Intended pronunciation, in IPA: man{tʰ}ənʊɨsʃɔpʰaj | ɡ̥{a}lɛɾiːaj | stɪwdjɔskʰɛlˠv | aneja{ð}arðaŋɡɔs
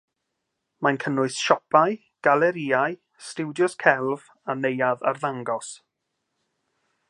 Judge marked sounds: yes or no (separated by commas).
no, yes, yes